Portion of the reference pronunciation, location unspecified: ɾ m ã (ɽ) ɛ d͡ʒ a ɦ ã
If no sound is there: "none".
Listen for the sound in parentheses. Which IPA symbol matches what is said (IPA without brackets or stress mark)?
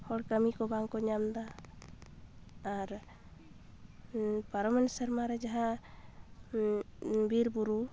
ɾ